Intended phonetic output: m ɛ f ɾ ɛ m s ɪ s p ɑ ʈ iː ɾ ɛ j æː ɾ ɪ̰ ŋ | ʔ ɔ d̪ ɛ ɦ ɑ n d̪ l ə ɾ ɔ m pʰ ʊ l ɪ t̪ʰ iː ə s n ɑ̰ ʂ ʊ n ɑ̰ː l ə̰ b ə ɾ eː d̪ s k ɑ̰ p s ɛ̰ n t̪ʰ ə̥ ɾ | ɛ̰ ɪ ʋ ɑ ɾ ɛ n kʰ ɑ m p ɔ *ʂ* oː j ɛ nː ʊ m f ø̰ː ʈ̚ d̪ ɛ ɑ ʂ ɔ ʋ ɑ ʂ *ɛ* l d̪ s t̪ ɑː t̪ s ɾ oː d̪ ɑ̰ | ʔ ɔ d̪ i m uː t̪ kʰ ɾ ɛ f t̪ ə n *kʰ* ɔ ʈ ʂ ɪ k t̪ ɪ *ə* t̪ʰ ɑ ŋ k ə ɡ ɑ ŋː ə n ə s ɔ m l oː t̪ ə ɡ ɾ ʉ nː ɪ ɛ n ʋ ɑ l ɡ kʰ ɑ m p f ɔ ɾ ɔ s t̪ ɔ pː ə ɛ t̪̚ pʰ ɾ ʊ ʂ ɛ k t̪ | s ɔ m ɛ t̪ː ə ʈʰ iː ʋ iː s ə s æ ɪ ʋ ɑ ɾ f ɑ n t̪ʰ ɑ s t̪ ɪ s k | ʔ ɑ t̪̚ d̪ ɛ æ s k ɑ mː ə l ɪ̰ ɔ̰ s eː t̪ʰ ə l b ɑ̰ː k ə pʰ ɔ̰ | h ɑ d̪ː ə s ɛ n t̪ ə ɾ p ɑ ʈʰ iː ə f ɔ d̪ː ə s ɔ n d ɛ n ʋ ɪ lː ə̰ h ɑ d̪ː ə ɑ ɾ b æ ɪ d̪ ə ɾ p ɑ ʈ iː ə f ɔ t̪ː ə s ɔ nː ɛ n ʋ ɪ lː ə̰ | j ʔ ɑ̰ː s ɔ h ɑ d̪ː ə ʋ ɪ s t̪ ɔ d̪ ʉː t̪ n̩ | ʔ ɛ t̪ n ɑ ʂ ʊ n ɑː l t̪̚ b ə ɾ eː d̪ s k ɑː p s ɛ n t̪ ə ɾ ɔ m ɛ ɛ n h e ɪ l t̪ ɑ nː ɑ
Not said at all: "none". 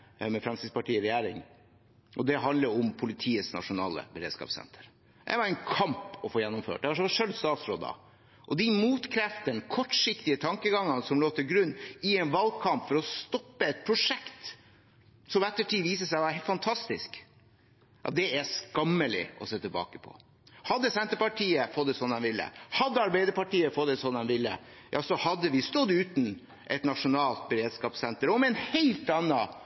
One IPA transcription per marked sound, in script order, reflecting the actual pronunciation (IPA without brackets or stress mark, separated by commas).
f, œ, kʰ, ə